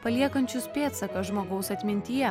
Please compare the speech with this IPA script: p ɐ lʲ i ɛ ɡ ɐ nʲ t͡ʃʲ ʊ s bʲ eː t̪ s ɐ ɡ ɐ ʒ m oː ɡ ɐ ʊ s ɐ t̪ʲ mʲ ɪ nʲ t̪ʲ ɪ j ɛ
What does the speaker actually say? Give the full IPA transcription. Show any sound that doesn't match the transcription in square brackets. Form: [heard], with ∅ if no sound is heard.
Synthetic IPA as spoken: p ɐ lʲ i ɛ [k] ɐ nʲ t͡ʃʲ ʊ s [pʲ] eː t̪ s ɐ [k] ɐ ʒ m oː ɡ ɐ ʊ s ɐ t̪ʲ mʲ ɪ nʲ t̪ʲ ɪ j ɛ